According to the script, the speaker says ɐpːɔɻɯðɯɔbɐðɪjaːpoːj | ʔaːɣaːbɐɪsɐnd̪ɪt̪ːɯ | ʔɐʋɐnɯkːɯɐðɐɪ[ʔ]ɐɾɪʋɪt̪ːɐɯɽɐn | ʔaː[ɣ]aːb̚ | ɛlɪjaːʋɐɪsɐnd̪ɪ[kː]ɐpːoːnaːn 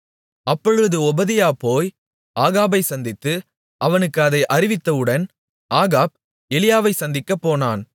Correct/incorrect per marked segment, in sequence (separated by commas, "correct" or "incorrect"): correct, correct, correct